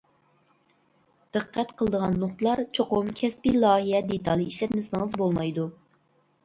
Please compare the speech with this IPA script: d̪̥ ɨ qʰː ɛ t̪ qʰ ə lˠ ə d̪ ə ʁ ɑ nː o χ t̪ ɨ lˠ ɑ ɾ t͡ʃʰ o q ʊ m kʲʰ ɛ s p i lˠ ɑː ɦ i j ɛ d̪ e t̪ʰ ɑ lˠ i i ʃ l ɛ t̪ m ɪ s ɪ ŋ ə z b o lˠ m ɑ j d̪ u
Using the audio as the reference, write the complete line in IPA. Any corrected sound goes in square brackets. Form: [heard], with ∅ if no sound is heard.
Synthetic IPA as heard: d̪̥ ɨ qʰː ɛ t̪ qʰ ə lˠ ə d̪ ə ʁ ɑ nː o χ t̪ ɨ lˠ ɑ ɾ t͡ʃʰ o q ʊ m kʲʰ ɛ s p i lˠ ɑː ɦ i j ɛ d̪ e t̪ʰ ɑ lˠ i i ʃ l ɛ t̪ m ɪ s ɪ ŋ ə z b o lˠ m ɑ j d̪ u